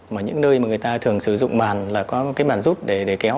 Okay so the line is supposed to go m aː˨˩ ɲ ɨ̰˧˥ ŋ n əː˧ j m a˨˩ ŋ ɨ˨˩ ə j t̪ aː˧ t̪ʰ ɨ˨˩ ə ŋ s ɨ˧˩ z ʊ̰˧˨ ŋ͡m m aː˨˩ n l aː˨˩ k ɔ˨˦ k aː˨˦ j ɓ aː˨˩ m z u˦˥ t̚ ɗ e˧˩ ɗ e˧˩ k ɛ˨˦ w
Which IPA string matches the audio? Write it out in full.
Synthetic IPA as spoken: m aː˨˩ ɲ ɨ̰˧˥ ŋ n əː˧ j m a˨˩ ŋ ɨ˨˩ ə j t̪ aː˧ t̪ʰ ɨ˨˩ ə ŋ s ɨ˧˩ z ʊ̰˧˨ ŋ͡m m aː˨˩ n l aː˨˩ k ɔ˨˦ k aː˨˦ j ɓ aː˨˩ n z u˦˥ t̚ ɗ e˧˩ ɗ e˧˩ k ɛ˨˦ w